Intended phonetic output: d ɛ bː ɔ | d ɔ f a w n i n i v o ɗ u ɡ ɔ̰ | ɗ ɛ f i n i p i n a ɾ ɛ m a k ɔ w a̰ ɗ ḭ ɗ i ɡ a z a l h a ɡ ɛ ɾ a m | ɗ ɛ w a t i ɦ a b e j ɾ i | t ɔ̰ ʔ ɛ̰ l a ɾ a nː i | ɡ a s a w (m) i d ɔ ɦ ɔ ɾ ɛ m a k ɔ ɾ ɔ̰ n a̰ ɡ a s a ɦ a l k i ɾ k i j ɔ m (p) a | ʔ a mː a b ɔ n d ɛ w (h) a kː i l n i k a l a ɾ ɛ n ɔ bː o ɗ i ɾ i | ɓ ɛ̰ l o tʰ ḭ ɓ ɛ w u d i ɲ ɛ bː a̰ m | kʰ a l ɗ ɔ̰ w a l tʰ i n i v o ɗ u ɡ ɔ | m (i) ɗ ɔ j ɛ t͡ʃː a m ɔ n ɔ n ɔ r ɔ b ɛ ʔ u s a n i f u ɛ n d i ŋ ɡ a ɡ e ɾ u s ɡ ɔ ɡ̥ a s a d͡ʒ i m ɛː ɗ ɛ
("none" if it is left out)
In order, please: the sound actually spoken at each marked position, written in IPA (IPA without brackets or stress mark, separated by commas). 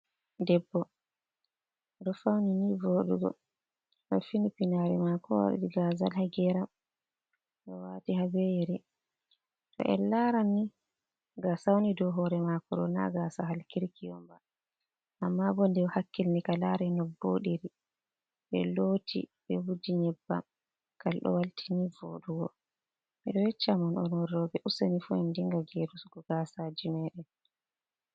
n, b, h, i